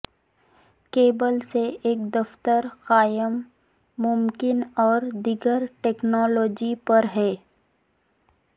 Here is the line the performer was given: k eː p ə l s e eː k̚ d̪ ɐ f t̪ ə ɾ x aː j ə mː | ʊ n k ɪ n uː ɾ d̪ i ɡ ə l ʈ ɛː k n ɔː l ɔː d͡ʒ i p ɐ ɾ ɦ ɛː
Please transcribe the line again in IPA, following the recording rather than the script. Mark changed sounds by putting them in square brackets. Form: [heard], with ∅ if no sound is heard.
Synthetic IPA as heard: k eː [b] ə l s e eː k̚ d̪ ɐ f t̪ ə ɾ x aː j ə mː | ʊ [m] k ɪ n [ɔː] ɾ d̪ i ɡ ə [ɾ] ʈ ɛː k n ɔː l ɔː d͡ʒ i p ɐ ɾ ɦ ɛː